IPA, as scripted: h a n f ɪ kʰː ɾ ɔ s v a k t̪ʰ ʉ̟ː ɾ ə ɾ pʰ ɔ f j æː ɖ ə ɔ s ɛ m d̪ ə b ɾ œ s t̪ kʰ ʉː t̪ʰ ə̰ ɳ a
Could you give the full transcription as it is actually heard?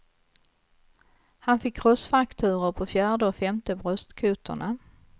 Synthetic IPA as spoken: h a n f ɪ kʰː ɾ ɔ s f a k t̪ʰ ʉ̟ː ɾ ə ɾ pʰ ɔ f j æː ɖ ə ɔ f ɛ m t̪ ə b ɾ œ s t̪ kʰ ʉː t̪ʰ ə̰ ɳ a